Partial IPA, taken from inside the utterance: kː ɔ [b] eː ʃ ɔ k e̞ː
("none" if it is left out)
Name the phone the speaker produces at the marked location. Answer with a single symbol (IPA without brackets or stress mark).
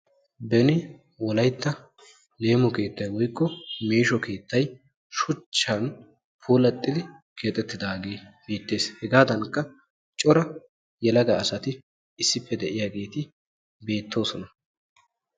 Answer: m